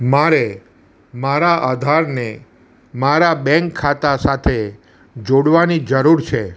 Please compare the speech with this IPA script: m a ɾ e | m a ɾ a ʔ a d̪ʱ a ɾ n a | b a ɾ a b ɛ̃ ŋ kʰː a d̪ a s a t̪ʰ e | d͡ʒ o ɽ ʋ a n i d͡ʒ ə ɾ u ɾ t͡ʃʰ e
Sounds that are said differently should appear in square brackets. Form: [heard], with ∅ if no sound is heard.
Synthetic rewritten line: m a ɾ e | m a ɾ a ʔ a d̪ʱ a ɾ n [e] | [m] a ɾ a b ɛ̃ ŋ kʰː a [t̪] a s a t̪ʰ e | d͡ʒ o ɽ ʋ a n i d͡ʒ ə ɾ u ɾ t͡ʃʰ e

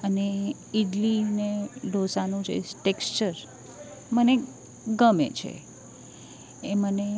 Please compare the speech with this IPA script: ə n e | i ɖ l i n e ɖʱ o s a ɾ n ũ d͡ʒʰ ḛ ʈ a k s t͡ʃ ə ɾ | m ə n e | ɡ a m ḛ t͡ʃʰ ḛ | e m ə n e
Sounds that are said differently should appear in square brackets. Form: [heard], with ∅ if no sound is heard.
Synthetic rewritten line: ə n e | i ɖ l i n e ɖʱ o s a [∅] n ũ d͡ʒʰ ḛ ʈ [e] k s t͡ʃ ə ɾ | m ə n e | ɡ [ə] m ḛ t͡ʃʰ ḛ | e m ə n e

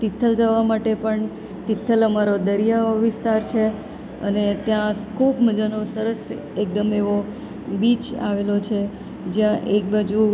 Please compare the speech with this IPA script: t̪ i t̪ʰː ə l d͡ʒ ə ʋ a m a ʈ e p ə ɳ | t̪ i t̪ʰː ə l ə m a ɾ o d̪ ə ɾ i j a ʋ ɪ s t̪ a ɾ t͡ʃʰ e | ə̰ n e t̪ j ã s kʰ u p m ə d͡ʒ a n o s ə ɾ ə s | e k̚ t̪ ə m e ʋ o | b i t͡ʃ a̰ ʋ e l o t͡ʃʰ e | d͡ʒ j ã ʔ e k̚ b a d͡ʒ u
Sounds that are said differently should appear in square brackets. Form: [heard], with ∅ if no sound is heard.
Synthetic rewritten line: t̪ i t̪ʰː ə l d͡ʒ ə ʋ a m a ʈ e p ə ɳ | t̪ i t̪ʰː ə l ə m a ɾ o d̪ ə ɾ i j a ʋ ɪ s t̪ a ɾ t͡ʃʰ e | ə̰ n e t̪ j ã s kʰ u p m ə d͡ʒ a n o s ə ɾ ə s | e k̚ [d̪] ə m e ʋ o | b i t͡ʃ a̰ ʋ e l o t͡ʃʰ e | d͡ʒ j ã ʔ e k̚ b a d͡ʒ u

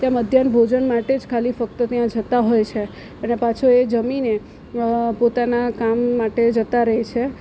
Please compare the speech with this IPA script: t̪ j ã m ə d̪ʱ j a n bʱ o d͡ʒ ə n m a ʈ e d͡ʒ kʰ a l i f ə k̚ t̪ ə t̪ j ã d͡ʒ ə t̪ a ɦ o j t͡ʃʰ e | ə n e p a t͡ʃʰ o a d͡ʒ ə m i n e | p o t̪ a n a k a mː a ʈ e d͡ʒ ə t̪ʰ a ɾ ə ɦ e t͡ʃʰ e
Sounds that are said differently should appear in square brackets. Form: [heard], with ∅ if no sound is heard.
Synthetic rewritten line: t̪ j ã m ə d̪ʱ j a n bʱ o d͡ʒ ə n m a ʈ e d͡ʒ kʰ a l i f ə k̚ t̪ ə t̪ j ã d͡ʒ ə t̪ a ɦ o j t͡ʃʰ e | ə n e p a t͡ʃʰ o [e] d͡ʒ ə m i n e | p o t̪ a n a k a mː a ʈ e d͡ʒ ə [t̪] a ɾ ə ɦ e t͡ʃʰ e

